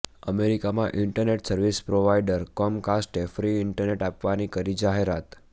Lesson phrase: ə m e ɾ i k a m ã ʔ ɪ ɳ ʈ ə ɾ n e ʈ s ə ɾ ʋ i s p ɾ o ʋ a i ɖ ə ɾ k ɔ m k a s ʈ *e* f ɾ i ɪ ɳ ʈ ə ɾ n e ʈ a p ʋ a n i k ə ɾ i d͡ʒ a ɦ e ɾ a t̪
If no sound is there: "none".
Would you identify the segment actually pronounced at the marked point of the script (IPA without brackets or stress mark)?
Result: e